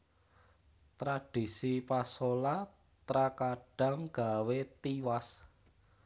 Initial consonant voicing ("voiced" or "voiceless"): voiceless